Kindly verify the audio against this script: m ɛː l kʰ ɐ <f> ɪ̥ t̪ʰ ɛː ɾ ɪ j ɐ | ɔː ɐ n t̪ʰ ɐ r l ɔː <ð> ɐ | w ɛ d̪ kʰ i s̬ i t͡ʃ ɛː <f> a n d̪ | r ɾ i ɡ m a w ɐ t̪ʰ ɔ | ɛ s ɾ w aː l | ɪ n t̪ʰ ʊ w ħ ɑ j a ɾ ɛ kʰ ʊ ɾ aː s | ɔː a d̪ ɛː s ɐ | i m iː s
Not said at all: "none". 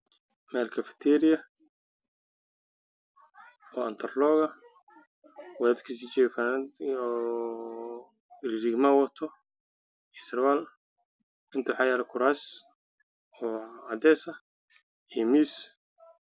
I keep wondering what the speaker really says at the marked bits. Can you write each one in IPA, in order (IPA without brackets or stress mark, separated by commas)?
f, ɣ, f